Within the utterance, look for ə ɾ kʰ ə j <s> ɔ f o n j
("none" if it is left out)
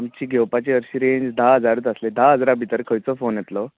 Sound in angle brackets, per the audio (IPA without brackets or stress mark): t͡s